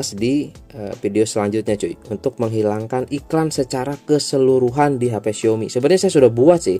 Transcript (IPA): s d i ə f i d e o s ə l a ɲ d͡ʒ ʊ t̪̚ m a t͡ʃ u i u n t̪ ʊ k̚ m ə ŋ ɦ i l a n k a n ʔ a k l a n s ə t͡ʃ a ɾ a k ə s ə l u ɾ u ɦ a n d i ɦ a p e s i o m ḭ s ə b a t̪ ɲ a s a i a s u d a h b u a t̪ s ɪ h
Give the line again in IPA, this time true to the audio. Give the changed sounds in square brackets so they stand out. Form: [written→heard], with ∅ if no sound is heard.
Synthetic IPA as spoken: s d i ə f i d e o s ə l a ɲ d͡ʒ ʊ t̪̚ [m→ɲ] a t͡ʃ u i u n t̪ ʊ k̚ m ə ŋ ɦ i l a [n→ŋ] k a n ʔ [a→i] k l a n s ə t͡ʃ a ɾ a k ə s ə l u ɾ u ɦ a n d i ɦ a p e s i o m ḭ s ə b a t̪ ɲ a s a [i→j] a s u d a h b u a t̪ s ɪ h